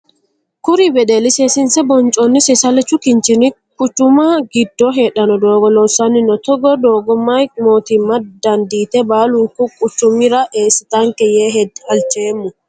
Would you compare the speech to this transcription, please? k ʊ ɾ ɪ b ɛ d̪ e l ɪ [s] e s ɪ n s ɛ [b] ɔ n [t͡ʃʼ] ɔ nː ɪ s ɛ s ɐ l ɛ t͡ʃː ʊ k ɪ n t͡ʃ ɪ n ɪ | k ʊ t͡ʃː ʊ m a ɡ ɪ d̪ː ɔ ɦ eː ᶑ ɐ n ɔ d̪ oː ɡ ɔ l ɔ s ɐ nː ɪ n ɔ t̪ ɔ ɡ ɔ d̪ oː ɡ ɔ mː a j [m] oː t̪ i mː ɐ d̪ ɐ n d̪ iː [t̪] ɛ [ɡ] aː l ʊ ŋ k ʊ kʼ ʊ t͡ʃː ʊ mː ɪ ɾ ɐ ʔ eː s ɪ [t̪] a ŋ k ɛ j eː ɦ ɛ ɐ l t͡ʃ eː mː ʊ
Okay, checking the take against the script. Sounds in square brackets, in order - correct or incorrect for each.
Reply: correct, correct, correct, correct, correct, incorrect: b, correct

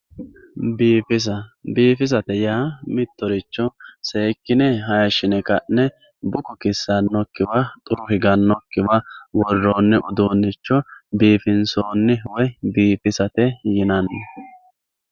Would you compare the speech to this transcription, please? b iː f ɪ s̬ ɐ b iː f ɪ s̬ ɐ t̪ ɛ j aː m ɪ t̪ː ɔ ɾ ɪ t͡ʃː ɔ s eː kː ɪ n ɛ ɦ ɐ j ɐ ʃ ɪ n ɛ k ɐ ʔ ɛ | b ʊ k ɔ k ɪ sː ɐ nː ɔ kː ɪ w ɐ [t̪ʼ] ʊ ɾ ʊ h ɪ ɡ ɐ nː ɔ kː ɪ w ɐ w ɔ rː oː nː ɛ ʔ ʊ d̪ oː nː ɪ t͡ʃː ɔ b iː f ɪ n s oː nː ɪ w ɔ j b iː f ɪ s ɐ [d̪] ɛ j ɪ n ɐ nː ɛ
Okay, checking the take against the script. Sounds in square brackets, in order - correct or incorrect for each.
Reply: correct, incorrect: t̪

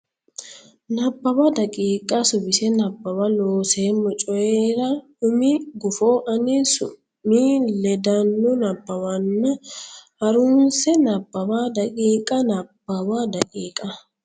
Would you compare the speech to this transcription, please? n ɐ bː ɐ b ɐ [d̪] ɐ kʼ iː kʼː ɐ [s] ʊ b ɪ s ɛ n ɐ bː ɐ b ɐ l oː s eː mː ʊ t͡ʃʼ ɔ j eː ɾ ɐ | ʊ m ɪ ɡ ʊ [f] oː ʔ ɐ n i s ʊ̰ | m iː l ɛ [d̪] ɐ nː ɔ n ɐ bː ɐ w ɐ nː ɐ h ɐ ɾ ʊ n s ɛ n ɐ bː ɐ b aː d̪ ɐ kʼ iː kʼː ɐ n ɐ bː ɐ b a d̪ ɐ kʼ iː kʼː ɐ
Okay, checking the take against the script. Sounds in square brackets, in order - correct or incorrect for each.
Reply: correct, correct, correct, correct

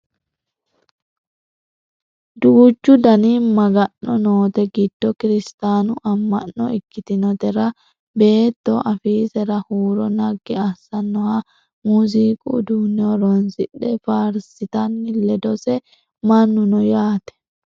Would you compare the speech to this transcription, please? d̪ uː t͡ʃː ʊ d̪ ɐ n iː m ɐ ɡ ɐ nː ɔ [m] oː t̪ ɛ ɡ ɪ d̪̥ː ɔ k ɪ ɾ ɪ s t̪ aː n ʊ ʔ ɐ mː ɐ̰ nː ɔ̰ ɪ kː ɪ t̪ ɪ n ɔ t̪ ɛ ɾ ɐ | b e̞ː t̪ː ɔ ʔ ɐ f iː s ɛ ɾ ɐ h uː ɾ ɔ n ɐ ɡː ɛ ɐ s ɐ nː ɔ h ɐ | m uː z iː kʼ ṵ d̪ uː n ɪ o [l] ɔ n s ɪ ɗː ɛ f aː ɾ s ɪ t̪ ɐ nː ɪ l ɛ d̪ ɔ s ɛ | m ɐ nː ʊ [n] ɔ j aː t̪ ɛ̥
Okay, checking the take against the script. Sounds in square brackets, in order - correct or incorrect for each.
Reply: incorrect: n, incorrect: ɾ, correct

